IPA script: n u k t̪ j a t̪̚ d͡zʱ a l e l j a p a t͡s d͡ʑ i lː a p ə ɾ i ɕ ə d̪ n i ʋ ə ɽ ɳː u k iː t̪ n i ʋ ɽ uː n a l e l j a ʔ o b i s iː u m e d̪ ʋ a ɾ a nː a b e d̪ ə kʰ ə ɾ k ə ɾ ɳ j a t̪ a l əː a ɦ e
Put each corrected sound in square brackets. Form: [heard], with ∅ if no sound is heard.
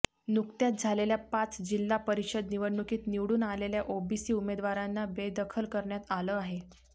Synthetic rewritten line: n u k t̪ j a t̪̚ d͡zʱ a l e l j a p a t͡s d͡ʑ i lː a p ə ɾ i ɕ ə d̪ n i ʋ ə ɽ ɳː u k iː t̪ n i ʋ ɽ uː n a l e l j a ʔ o b i s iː u m e d̪ ʋ a ɾ a nː a b e d̪ ə kʰ ə [l] k ə ɾ ɳ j a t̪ a l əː a ɦ e

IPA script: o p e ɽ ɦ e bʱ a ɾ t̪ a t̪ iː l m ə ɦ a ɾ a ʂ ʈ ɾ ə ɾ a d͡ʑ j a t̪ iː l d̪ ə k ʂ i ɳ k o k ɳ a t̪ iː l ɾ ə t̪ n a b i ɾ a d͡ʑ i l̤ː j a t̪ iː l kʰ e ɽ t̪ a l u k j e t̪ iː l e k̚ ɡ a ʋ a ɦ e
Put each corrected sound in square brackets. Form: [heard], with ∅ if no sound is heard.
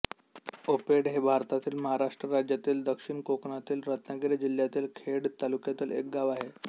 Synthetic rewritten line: o p e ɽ ɦ e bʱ a ɾ t̪ a t̪ iː l m ə ɦ a ɾ a ʂ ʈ ɾ ə ɾ a d͡ʑ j a t̪ iː l d̪ ə k ʂ i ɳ k o k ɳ a t̪ iː l ɾ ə t̪ n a [ɡ] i ɾ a d͡ʑ i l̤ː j a t̪ iː l kʰ e ɽ t̪ a l u k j [a] t̪ iː l e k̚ ɡ a ʋ a ɦ e

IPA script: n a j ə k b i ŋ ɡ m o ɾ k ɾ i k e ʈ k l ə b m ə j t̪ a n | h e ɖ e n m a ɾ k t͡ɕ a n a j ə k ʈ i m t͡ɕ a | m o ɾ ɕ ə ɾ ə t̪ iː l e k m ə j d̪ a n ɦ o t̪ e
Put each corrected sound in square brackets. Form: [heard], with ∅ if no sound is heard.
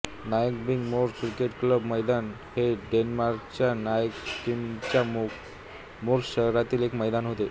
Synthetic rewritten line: n a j ə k b i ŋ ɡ m o ɾ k ɾ i k e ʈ k l ə b m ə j [d̪] a n | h e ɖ e n m a ɾ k t͡ɕ a n a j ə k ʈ i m t͡ɕ a | m o ɾ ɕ ə ɾ [a] t̪ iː l e k m ə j d̪ a n ɦ o t̪ e

